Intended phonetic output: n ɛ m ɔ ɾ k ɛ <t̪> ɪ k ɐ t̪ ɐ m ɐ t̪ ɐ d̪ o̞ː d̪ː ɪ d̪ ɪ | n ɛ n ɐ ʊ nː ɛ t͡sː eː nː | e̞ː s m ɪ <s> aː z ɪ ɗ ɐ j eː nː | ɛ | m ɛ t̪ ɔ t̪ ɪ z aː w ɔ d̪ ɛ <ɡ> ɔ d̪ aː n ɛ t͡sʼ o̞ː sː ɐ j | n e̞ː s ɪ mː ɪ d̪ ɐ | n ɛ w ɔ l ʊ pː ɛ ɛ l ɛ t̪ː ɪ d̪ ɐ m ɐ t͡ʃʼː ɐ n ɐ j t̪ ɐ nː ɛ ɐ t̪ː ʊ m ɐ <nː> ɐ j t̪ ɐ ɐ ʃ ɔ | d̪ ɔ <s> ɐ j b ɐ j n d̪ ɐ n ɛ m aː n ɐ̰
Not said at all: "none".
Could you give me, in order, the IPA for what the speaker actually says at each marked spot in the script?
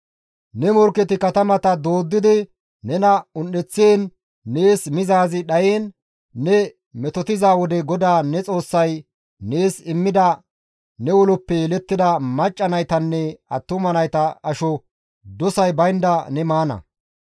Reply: t̪, z, ɡ, n, s

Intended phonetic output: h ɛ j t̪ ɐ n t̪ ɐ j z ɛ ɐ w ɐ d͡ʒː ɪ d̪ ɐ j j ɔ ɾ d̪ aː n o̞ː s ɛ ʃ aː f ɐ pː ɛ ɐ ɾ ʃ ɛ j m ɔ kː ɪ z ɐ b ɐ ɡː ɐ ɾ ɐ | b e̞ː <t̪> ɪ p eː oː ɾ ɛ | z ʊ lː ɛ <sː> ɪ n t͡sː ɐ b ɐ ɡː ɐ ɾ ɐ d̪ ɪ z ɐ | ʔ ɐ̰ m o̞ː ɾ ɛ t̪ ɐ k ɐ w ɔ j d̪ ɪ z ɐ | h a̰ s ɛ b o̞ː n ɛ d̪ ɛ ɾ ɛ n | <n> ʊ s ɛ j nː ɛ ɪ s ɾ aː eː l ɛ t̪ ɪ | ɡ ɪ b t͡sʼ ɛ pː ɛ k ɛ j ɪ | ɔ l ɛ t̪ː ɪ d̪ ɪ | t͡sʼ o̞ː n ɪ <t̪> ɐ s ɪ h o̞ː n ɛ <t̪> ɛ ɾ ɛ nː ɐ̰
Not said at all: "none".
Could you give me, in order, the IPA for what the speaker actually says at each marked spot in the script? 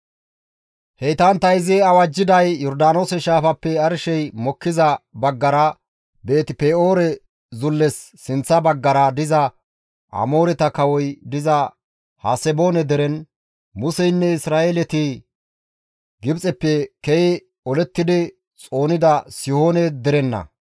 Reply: t̪, sː, m, d̪, d̪

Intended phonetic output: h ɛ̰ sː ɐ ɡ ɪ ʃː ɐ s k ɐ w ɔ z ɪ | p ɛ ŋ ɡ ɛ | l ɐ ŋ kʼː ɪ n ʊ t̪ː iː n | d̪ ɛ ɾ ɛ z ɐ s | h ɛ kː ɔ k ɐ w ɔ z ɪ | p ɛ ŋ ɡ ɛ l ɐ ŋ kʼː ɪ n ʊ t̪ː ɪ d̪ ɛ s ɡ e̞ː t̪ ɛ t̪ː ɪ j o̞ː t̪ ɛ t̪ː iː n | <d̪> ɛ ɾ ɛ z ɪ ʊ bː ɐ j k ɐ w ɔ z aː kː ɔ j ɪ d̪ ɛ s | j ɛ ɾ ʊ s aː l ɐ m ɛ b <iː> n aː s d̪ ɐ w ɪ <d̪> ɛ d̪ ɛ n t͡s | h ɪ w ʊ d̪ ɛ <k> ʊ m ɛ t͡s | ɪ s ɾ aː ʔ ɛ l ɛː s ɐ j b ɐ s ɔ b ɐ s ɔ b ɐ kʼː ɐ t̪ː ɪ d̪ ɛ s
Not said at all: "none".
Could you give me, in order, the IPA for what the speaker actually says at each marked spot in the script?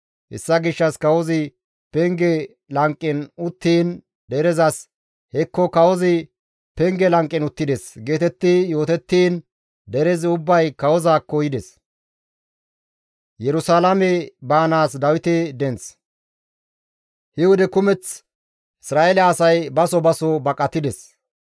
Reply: d̪, aː, t̪, k

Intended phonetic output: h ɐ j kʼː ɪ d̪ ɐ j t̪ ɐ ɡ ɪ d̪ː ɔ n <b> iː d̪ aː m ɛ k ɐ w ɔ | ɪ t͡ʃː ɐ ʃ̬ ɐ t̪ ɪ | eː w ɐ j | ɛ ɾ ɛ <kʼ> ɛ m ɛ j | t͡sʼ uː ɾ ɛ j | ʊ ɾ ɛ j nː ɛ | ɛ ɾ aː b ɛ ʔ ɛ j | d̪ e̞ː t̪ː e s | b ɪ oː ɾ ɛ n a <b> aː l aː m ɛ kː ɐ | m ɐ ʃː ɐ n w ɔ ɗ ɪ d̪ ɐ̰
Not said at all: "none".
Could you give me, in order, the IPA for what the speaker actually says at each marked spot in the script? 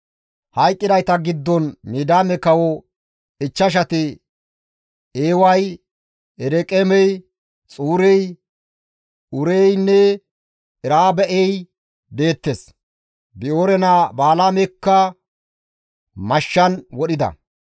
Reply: m, kʼ, b

